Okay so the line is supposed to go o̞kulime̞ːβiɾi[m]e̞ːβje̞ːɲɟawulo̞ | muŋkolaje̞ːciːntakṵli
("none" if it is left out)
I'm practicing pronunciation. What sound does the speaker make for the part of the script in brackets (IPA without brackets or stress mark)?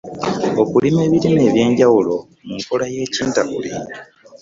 n